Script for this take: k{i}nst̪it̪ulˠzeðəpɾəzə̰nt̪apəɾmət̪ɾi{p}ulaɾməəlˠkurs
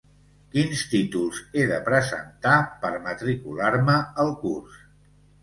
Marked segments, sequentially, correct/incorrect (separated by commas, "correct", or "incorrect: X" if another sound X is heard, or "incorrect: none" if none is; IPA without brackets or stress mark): correct, incorrect: k